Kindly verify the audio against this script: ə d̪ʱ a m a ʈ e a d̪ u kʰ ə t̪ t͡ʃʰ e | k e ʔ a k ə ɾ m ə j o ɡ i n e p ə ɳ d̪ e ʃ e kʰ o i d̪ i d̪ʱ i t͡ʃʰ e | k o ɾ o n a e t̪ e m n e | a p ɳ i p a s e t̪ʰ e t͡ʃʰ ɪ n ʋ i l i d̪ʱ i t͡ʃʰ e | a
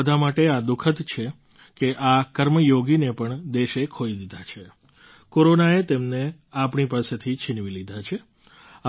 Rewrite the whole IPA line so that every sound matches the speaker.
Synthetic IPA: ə d̪ʱ a m a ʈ e a d̪ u kʰ ə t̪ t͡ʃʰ e | k e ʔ a k ə ɾ m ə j o ɡ i n e p ə ɳ d̪ e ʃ e kʰ o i d̪ i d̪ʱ a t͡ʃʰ e | k o ɾ o n a e t̪ e m n e | a p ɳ i p a s e t̪ʰ i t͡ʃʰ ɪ n ʋ i l i d̪ʱ a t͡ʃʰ e | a

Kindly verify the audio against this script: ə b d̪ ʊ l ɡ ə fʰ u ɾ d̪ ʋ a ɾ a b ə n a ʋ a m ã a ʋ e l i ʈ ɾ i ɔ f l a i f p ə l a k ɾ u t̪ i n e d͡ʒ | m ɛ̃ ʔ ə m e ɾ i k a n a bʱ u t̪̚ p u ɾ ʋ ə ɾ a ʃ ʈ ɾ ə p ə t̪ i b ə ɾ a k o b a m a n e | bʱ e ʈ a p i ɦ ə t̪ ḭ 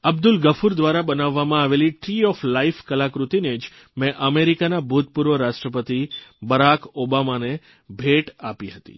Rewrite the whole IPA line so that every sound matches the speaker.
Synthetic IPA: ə b d̪ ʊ l ɡ ə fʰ u ɾ d̪ ʋ a ɾ a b ə n a ʋː a m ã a ʋ e l i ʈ ɾ i ɔ f l a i f k ə l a k ɾ u t̪ i n e d͡ʒ | m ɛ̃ ʔ ə m e ɾ i k a n a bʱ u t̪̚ p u ɾ ʋ ə ɾ a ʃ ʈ ɾ ə p ə t̪ i b ə ɾ a k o b a m a n e | bʱ e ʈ a p i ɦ ə t̪ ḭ

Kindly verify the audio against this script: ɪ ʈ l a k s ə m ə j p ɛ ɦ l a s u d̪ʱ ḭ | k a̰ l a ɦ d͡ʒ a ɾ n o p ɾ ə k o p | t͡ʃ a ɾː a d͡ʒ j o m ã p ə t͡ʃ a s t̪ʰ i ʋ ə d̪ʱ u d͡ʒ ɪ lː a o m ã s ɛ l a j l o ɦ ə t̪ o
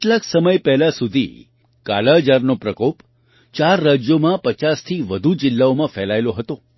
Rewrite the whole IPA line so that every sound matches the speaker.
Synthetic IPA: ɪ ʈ l a k s ə m ə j p ɛ ɦ l a s u d̪ʱ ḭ | k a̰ l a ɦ d͡ʒ a ɾ n o p ɾ ə k o p | t͡ʃ a ɾː a d͡ʒ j o m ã p ə t͡ʃ a s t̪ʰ i ʋ ə d̪ʱ u d͡ʒ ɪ lː a o m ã f ɛ l a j l o ɦ ə t̪ o

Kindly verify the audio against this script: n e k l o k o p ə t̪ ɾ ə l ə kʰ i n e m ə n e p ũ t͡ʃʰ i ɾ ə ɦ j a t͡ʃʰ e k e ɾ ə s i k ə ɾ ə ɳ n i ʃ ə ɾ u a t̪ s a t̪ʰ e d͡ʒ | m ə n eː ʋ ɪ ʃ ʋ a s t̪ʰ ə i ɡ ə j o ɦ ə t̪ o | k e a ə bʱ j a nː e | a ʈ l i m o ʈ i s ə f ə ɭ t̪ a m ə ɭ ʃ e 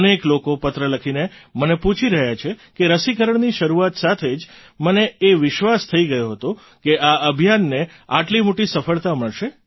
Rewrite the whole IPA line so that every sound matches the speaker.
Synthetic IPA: n e k l o k o p ə t̪ ɾ ə l ə kʰ i n e m ə n e p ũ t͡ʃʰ i ɾ ə ɦ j a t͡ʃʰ e k e ɾ ə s i k ə ɾ ə ɳ n i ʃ ə ɾ u a t̪ s a t̪ʰ e d͡ʒ | m ə n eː ʋ ɪ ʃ ʋ a s t̪ʰ ə i ɡ ə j o ɦ ə t̪ o | k e a ə bʱ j a nː e | a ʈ l i m o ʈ i s ə f ə ɭ t̪ a m ə ɭ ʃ e

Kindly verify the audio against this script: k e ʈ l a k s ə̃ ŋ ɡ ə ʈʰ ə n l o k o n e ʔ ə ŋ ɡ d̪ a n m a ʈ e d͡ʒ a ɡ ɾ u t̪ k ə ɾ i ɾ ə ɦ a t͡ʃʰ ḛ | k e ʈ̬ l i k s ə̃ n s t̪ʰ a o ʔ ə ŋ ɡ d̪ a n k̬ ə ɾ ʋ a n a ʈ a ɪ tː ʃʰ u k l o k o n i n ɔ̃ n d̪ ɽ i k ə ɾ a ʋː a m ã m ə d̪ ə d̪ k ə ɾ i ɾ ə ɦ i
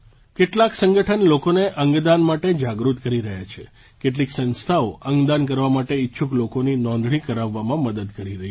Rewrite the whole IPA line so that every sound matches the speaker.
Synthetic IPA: k e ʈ l a k s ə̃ ŋ ɡ ə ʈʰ ə n l o k o n e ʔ ə ŋ ɡ d̪ a n m a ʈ e d͡ʒ a ɡ ɾ u t̪ k ə ɾ i ɾ ə ɦ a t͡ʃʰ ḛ | k e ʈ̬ l i k s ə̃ n s t̪ʰ a o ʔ ə ŋ ɡ d̪ a n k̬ ə ɾ ʋ a m a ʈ e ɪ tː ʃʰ u k l o k o n i n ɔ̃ n d̪ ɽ i k ə ɾ a ʋː a m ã m ə d̪ ə d̪ k ə ɾ i ɾ ə ɦ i

